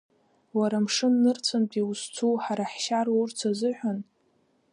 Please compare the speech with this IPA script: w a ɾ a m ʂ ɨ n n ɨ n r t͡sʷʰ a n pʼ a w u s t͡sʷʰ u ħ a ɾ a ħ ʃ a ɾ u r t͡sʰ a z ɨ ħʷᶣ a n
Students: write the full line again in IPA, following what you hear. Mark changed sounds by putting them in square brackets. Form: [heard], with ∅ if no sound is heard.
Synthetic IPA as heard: w a ɾ a m ʂ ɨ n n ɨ [∅] r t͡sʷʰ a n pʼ [i] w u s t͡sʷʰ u ħ a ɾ a ħ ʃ a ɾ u r t͡sʰ a z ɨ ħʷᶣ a n